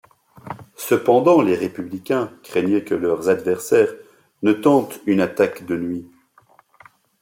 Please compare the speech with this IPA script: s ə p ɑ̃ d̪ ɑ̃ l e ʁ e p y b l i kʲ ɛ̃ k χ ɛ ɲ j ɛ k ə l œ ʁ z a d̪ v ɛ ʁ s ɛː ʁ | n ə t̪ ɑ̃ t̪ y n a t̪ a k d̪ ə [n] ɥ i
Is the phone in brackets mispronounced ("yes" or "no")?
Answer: no